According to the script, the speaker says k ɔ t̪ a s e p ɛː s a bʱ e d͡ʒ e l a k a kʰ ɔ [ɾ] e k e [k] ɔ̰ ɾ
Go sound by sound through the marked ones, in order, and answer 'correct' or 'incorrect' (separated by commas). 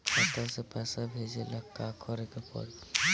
correct, incorrect